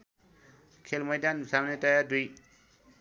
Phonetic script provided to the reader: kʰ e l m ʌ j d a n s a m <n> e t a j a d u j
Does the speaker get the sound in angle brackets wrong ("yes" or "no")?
no